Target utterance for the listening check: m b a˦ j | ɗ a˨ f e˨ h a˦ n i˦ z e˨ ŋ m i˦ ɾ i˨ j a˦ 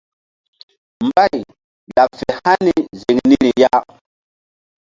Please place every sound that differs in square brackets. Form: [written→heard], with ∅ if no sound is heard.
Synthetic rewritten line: m b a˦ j | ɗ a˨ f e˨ h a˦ n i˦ z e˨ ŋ [m→n] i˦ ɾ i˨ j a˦